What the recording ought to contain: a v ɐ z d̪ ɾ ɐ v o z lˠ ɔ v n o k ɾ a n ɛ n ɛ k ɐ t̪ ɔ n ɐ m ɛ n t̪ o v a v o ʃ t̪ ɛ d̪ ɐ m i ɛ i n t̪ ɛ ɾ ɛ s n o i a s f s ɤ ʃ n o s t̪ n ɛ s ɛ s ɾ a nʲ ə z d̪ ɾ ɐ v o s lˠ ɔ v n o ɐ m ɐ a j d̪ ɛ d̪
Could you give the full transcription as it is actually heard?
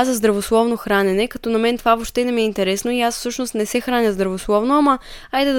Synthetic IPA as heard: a z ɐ z d̪ ɾ ɐ v o s lˠ ɔ v n o x ɾ a n ɛ n ɛ k ɐ t̪ ɔ n ɐ m ɛ n t̪ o v a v o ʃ t̪ ɛ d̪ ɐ m i ɛ i n t̪ ɛ ɾ ɛ s n o i a s f s ɤ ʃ n o s t̪ n ɛ s ɛ x ɾ a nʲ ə z d̪ ɾ ɐ v o s lˠ ɔ v n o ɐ m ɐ a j d̪ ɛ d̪